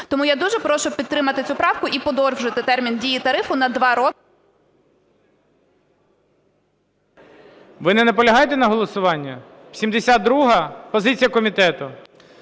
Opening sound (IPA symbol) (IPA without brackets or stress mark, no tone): t̪